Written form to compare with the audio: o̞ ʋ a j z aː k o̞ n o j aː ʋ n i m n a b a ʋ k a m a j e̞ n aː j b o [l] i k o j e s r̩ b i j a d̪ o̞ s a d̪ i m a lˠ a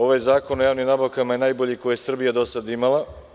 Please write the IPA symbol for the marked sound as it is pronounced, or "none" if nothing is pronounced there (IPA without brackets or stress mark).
ʎ